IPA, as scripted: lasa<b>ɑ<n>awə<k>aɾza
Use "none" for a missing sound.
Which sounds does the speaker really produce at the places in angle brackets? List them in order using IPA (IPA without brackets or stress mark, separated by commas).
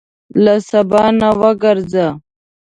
b, n, ɡ